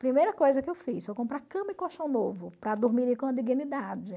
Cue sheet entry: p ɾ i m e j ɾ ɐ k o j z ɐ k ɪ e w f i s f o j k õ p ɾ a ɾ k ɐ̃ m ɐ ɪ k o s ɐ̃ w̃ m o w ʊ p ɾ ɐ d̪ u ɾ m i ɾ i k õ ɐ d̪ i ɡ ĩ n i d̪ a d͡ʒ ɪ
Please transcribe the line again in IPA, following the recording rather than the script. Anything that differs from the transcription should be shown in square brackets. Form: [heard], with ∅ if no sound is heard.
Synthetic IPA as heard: p ɾ i m e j ɾ ɐ k o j z ɐ k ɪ e w f i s f o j k õ p ɾ a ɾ k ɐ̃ m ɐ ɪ k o [ʃ] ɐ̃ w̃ [n] o [v] ʊ p ɾ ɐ d̪ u ɾ m i ɾ i k õ ɐ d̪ i ɡ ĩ n i d̪ a d͡ʒ ɪ